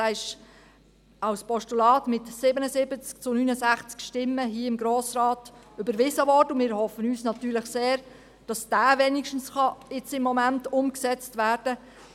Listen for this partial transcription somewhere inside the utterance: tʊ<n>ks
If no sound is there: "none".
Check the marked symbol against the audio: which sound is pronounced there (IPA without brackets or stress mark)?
m